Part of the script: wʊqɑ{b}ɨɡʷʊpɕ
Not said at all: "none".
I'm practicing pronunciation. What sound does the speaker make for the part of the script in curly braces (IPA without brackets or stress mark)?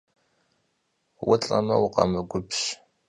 m